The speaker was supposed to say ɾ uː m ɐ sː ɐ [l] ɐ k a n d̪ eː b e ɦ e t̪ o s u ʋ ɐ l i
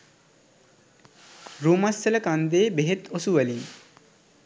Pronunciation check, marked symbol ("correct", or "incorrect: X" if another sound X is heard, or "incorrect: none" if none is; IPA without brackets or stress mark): correct